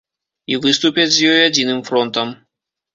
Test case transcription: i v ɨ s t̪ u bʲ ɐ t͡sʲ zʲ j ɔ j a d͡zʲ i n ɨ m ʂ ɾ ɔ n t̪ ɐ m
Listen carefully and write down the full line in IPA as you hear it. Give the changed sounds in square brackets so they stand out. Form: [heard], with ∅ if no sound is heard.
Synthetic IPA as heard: i v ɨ s t̪ u [pʲ] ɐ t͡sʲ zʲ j ɔ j a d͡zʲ i n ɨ m [f] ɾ ɔ n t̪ ɐ m

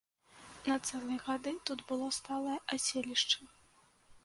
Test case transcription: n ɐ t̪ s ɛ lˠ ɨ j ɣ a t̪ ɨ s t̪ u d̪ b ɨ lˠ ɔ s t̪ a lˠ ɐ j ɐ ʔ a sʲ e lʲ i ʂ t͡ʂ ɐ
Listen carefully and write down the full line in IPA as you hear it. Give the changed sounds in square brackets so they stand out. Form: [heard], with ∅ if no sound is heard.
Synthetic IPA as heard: n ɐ t̪ s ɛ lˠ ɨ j ɣ a [d̪] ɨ [∅] t̪ u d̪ b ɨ lˠ ɔ s t̪ a lˠ ɐ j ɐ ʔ a sʲ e lʲ i ʂ t͡ʂ ɐ

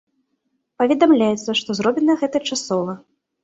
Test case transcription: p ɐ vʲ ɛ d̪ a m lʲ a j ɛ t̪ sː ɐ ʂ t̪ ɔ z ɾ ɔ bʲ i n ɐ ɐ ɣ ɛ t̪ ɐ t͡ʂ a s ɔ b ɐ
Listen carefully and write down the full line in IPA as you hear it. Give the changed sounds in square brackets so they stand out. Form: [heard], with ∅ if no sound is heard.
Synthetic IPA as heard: p ɐ vʲ ɛ d̪ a m lʲ a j ɛ t̪ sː ɐ ʂ t̪ ɔ z ɾ ɔ bʲ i n ɐ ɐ ɣ ɛ t̪ ɐ t͡ʂ a s ɔ [v] ɐ

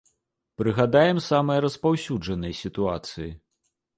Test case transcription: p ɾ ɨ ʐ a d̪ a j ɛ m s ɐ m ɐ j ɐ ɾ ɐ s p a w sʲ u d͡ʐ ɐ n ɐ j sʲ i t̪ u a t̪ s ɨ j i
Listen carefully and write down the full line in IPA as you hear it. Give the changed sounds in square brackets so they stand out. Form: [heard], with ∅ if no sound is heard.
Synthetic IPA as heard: p ɾ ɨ [ɣ] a d̪ a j ɛ m s [a] m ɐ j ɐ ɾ ɐ s p a w sʲ u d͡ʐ ɐ n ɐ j sʲ i t̪ u a t̪ s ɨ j i

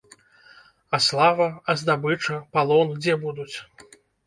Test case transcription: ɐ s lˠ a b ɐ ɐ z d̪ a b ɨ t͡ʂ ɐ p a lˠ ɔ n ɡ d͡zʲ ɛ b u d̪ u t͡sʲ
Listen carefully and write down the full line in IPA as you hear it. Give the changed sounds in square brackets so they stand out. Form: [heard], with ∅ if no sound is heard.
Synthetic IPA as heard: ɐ s lˠ a [v] ɐ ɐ z d̪ a b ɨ t͡ʂ ɐ p a lˠ ɔ n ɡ d͡zʲ ɛ b u d̪ u t͡sʲ

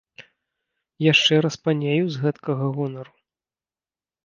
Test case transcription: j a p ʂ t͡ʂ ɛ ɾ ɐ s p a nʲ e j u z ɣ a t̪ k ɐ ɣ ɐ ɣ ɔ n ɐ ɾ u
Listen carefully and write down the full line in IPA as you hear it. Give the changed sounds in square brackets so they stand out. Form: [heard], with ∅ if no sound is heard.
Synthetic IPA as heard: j a [∅] ʂ t͡ʂ ɛ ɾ ɐ s p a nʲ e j u z ɣ [ɛ] t̪ k ɐ ɣ ɐ ɣ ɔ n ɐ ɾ u

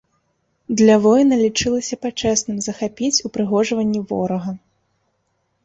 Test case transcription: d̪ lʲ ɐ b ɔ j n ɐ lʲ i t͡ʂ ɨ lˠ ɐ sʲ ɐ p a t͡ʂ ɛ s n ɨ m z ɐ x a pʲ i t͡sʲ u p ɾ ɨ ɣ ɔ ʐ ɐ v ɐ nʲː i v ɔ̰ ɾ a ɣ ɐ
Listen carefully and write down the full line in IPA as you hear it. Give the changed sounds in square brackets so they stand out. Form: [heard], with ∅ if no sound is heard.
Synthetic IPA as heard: d̪ lʲ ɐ [v] ɔ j n ɐ lʲ i t͡ʂ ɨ lˠ ɐ sʲ ɐ p a t͡ʂ ɛ s n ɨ m z ɐ x a pʲ i t͡sʲ u p ɾ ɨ ɣ ɔ ʐ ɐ v ɐ nʲː i v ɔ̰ ɾ [ɐ] ɣ ɐ

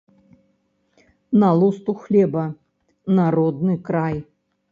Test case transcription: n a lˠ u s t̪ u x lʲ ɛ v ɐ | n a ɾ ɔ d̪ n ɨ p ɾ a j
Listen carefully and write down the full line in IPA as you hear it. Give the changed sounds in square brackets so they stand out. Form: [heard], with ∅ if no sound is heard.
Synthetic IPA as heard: n a lˠ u s t̪ u x lʲ ɛ [b] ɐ | n a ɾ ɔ d̪ n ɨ [k] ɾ a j

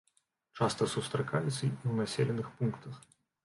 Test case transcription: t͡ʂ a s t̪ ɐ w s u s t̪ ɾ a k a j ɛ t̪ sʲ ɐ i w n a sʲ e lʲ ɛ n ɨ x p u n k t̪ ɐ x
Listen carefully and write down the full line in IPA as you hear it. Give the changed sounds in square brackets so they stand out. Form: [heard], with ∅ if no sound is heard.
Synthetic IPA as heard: t͡ʂ a s t̪ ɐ [∅] s u s t̪ ɾ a k a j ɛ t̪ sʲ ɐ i w n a sʲ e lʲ ɛ n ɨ x p u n k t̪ ɐ x

